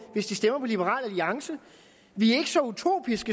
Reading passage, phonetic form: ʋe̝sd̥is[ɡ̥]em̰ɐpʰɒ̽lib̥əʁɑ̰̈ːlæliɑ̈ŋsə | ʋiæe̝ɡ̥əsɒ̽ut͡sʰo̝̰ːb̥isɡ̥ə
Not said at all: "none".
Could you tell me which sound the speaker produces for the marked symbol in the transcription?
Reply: d̥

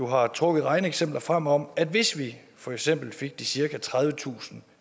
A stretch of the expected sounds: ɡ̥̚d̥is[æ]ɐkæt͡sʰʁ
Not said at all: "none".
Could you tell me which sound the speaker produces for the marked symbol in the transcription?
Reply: i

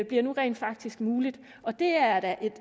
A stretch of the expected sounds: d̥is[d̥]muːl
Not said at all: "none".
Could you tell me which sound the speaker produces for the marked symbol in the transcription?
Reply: ɡ̥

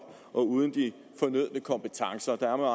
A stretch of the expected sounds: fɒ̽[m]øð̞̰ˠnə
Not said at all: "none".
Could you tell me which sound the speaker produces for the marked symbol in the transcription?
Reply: n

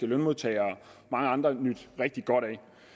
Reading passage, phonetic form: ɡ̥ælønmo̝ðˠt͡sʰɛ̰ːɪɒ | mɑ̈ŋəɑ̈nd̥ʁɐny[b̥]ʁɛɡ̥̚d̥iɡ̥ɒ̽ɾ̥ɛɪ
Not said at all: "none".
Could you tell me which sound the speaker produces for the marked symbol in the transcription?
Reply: d̥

